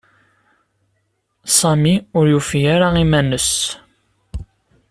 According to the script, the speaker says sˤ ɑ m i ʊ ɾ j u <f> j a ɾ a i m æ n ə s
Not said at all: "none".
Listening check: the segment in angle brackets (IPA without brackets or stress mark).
f